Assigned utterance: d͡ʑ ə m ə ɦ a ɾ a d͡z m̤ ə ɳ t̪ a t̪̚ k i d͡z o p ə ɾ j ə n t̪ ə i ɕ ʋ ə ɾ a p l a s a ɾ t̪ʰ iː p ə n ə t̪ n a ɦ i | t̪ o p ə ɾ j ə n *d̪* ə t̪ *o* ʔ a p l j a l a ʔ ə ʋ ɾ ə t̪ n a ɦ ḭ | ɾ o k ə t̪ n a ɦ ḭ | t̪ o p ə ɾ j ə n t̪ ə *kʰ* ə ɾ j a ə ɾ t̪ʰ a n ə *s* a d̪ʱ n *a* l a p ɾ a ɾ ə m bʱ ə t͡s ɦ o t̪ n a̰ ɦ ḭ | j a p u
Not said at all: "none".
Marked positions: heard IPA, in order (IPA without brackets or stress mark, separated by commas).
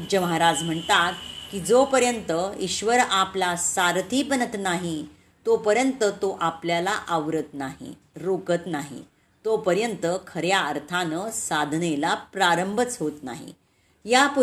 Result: t̪, o, kʰ, s, e